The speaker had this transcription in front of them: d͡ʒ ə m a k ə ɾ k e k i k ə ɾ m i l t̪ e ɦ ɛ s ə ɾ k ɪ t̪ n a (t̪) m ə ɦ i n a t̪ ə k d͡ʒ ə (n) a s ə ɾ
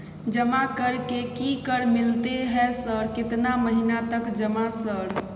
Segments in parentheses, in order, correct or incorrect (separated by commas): incorrect, incorrect